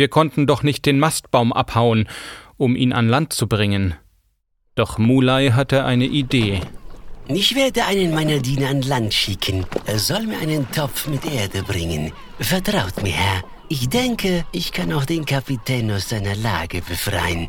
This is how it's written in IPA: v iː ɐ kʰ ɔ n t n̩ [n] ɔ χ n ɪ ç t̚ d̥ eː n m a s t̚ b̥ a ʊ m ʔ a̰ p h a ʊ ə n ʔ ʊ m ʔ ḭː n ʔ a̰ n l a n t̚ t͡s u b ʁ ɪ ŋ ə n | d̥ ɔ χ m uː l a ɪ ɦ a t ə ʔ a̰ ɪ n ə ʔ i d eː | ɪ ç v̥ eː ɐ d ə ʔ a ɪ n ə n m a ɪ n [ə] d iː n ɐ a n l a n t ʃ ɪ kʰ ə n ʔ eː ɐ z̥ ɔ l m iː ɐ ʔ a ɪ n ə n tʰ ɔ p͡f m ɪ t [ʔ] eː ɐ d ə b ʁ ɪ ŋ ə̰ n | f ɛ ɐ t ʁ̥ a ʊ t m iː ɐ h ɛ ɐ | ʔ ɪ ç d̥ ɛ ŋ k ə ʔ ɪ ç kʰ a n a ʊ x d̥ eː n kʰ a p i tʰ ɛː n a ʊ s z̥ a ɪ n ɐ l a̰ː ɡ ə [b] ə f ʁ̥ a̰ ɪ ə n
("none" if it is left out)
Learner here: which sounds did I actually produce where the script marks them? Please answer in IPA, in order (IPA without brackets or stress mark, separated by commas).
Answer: d, ɐ, ʔ, b